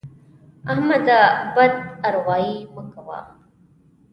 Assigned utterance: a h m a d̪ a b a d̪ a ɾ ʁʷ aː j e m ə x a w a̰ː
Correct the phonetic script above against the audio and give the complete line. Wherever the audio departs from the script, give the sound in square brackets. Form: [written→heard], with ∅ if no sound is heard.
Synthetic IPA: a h m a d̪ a b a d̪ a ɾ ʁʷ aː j [e→i] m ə [x→k] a w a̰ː

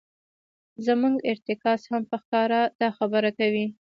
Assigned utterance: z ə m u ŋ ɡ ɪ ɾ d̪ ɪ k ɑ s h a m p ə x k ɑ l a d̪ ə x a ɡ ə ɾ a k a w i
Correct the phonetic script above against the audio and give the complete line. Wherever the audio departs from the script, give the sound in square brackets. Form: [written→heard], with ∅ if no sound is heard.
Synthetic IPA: z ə m u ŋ ɡ ɪ ɾ [d̪→t̪] ɪ k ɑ s h a m p ə x k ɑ [l→ɾ] a d̪ [ə→ɑ] x a [ɡ→b] ə ɾ a k a w i

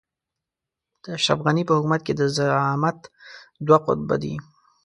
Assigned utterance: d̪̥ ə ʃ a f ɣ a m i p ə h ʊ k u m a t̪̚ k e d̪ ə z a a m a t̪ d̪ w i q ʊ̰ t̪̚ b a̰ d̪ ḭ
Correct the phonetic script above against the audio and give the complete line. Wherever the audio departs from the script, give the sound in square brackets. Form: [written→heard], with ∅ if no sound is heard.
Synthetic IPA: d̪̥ ə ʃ a f ɣ a [m→n] i p ə h ʊ k u m a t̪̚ k e d̪ ə z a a m a t̪ d̪ w [i→a] q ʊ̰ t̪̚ b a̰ d̪ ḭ

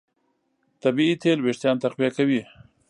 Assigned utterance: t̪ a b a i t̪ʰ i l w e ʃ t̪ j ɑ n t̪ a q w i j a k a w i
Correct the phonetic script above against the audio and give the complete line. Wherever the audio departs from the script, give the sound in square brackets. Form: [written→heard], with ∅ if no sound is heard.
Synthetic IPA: t̪ a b [a→i] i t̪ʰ [i→e] l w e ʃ t̪ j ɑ n t̪ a q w i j a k a w i

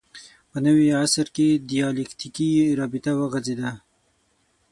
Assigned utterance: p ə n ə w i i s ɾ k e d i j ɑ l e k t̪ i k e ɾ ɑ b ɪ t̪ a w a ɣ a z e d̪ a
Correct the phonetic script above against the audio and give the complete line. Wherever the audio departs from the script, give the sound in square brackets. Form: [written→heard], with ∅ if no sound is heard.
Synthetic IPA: p ə n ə w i [i→a] s ɾ k e d i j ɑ l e k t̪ i k [e→i] ɾ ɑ b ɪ t̪ a w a ɣ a z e d̪ a

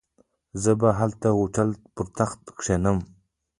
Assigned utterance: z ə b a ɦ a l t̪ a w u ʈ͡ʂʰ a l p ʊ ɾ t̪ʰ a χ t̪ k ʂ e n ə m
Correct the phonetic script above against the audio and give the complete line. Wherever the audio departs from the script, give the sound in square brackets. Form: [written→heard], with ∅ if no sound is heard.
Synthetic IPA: z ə b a ɦ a l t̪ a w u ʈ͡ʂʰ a l p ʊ ɾ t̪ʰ a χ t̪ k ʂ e n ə m

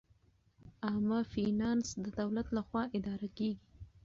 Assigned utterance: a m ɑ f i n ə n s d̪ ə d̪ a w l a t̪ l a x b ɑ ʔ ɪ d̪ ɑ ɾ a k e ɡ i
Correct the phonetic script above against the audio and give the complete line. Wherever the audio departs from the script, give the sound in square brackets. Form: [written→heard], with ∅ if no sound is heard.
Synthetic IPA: a m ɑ f i n [ə→ɑ] n s d̪ ə d̪ a w l a t̪ l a x [b→w] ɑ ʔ ɪ d̪ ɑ ɾ a k e ɡ i

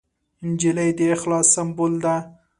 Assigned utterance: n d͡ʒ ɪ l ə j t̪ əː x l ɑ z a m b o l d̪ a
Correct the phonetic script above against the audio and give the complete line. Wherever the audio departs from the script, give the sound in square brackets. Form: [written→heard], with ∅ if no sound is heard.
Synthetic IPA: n d͡ʒ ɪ l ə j [t̪→d̪] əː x l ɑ [z→s] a m b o l d̪ a

